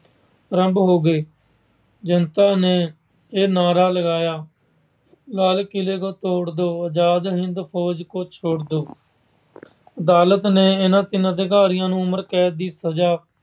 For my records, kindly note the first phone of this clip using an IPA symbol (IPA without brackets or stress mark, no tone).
ɾ